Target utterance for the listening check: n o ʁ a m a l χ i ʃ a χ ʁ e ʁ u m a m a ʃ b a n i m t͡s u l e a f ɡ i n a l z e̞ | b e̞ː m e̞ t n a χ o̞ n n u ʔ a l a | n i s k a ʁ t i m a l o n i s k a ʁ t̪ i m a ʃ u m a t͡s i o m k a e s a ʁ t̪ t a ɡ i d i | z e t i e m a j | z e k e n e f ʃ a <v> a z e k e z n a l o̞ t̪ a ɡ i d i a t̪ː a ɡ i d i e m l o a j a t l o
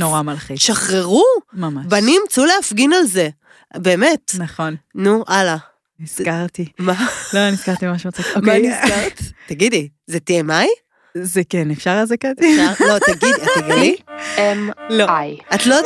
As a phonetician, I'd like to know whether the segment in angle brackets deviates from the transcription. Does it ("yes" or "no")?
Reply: yes